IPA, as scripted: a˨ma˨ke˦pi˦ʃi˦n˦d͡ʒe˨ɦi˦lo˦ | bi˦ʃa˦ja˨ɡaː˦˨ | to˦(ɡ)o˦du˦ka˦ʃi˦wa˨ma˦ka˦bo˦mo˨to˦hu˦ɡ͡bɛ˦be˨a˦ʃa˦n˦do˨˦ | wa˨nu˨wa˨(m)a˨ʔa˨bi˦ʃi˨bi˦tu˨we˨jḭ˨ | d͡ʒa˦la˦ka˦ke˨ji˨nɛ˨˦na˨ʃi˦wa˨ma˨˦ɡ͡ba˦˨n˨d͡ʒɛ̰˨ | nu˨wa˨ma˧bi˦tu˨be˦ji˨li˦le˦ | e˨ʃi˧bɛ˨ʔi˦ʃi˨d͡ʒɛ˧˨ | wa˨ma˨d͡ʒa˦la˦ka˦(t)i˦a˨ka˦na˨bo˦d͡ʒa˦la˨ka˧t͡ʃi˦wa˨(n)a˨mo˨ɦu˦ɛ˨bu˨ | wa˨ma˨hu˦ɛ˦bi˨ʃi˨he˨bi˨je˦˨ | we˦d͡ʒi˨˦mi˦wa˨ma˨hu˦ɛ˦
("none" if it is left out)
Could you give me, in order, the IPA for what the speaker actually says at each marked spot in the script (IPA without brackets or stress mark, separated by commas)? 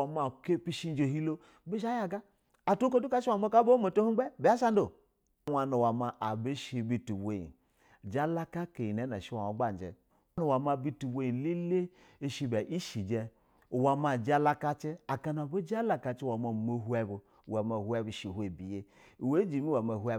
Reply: k, m, t͡ʃ, m